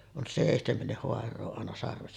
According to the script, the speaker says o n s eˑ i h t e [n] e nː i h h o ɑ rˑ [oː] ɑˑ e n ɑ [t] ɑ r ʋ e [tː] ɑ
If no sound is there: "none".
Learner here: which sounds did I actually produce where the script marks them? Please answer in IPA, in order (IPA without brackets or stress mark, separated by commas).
m, oː, s, sː